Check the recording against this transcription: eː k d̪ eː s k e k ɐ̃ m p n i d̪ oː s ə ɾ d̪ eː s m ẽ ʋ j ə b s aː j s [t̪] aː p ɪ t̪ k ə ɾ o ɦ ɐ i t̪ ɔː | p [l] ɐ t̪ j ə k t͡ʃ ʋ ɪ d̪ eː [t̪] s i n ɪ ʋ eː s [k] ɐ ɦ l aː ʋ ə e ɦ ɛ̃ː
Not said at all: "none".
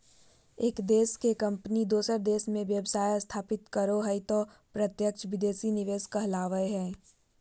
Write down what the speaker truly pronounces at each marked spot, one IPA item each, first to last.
t̪ʰ, ɾ, none, k

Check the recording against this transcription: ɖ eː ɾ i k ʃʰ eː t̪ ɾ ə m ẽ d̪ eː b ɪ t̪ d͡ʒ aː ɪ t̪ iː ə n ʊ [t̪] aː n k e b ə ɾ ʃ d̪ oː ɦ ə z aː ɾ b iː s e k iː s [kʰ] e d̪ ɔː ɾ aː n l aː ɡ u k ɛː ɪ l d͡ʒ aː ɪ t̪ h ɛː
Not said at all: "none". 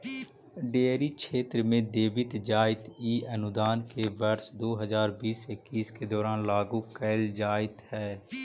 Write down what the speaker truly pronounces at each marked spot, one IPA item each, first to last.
d̪, k

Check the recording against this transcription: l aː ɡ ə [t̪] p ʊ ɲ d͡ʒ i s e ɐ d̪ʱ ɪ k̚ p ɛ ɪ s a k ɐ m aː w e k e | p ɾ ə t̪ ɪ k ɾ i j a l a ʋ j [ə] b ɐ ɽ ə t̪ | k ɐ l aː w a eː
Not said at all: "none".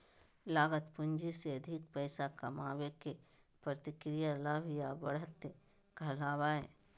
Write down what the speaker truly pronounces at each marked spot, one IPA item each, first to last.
t̪, a

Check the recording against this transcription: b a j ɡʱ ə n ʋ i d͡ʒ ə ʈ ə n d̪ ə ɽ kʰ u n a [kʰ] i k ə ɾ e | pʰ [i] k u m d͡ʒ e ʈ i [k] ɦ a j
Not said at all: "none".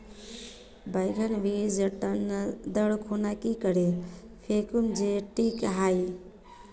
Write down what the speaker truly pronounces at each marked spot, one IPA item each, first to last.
k, e, k

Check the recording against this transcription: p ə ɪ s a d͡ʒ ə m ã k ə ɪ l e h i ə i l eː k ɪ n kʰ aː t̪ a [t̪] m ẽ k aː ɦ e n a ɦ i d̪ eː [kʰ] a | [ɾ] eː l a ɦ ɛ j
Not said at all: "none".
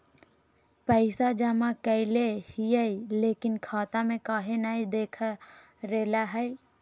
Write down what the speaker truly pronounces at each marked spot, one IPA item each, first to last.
none, kʰ, ɾ

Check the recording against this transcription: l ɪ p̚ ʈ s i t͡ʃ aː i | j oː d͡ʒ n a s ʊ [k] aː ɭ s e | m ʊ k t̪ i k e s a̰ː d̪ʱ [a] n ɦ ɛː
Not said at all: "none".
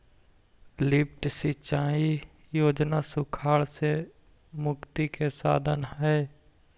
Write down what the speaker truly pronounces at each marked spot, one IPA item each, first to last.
kʰ, ə

